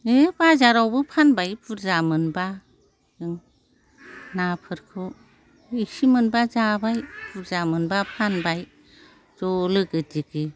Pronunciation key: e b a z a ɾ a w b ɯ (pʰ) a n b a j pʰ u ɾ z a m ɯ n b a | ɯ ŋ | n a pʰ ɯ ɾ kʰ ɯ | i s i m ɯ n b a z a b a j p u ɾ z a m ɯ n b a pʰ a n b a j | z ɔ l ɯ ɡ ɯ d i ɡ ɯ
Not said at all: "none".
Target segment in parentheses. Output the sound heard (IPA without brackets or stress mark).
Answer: pʰ